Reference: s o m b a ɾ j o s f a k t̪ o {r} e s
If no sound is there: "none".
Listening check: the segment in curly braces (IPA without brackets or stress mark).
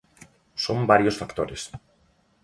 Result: ɾ